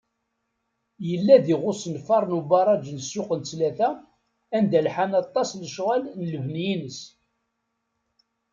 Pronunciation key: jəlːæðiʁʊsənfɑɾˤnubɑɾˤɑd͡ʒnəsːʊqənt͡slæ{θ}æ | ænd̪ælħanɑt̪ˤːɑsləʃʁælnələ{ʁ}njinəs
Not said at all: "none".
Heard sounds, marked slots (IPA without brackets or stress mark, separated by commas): θ, v